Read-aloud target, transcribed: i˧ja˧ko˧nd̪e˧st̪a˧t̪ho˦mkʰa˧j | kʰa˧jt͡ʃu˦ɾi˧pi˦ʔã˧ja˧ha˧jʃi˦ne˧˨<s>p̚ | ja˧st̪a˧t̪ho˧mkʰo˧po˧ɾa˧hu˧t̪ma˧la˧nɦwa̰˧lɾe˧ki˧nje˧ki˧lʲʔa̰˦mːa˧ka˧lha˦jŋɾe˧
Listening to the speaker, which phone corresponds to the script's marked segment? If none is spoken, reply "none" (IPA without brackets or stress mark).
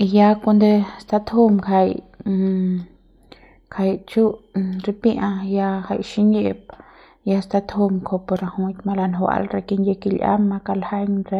none